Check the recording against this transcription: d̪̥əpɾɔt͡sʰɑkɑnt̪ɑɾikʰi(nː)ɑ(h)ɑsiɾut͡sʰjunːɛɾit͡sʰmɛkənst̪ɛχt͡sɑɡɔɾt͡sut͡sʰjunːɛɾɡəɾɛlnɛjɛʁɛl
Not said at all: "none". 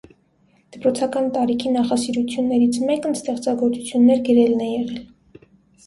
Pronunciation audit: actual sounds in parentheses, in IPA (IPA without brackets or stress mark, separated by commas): n, χ